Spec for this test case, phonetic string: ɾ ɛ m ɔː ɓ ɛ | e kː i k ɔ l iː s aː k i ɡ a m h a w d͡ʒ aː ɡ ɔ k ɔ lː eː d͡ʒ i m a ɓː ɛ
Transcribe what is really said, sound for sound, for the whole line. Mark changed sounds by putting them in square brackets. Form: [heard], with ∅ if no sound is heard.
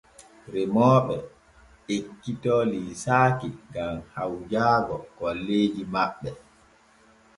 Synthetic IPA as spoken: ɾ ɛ m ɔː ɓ ɛ | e kː i [t] ɔ l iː s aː k i ɡ a m h a w d͡ʒ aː ɡ ɔ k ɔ lː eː d͡ʒ i m a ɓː ɛ

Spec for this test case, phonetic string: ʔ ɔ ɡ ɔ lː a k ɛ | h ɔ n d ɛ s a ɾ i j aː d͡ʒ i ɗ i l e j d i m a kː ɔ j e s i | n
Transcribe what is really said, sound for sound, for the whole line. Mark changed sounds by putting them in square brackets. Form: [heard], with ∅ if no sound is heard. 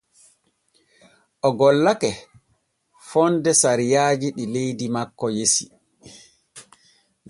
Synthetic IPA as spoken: ʔ ɔ ɡ ɔ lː a k ɛ | [f] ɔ n d ɛ s a ɾ i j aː d͡ʒ i ɗ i l e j d i m a kː ɔ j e s i | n

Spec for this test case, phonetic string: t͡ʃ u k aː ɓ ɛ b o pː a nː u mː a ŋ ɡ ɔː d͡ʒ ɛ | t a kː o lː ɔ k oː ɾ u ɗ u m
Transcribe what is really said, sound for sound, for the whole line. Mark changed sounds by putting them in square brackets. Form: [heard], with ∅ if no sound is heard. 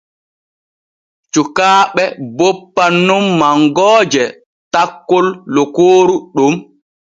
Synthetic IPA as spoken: t͡ʃ u k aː ɓ ɛ b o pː a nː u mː a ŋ ɡ ɔː d͡ʒ ɛ | t a kː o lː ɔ k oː ɾ u ɗ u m

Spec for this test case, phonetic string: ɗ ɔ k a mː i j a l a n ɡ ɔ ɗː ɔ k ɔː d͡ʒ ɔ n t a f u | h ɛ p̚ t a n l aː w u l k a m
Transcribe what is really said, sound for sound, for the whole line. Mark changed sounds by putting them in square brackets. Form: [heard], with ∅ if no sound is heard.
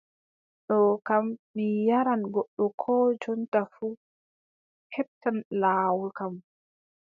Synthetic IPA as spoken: ɗ ɔ k a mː i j a [ɾ] a n ɡ ɔ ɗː ɔ [kʰ] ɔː d͡ʒ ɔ n t a f u | h ɛ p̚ t a n l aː w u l k a m

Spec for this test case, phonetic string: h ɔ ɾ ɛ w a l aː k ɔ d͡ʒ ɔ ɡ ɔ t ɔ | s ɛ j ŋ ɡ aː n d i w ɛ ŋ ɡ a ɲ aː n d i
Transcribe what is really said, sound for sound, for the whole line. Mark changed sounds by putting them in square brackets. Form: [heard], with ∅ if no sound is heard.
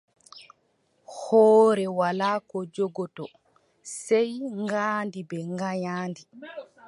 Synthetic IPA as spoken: h [ɔː] ɾ ɛ w a l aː k ɔ d͡ʒ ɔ ɡ ɔ t ɔ | s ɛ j ŋ ɡ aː n d i [b] ɛ ŋ ɡ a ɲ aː n d i

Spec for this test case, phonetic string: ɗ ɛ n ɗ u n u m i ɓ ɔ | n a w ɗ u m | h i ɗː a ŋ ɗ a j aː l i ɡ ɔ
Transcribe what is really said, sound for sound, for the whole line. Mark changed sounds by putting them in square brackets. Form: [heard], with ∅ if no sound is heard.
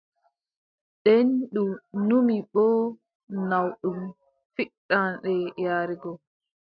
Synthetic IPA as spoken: ɗ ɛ n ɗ u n u m i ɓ ɔ | n a w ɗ u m | [f] i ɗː a [n] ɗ [ɛ] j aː [ɾ] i ɡ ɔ

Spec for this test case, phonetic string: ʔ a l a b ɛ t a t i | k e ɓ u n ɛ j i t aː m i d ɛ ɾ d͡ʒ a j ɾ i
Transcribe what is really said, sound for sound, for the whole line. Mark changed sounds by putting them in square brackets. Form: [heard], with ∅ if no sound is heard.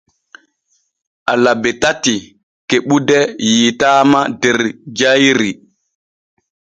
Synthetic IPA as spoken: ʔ a l a b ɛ t a t i | k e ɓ u [d] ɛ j i t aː m [a] d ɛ ɾ d͡ʒ a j ɾ i

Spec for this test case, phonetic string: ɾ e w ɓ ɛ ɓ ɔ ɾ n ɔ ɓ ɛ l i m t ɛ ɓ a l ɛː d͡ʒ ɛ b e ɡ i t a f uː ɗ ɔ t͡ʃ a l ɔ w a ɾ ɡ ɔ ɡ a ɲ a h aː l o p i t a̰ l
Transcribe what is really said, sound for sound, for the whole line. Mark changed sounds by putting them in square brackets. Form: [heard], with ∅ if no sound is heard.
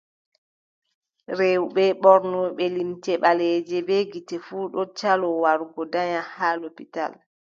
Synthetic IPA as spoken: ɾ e w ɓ ɛ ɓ ɔ ɾ n ɔ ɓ ɛ l i m t ɛ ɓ a l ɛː d͡ʒ ɛ b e ɡ i t [ɛ] f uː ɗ ɔ t͡ʃ a l ɔ w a ɾ ɡ ɔ [d] a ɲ a h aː l o p i t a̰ l

